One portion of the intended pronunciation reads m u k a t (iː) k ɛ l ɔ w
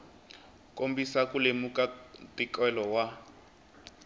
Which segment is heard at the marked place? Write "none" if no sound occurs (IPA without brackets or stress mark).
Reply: i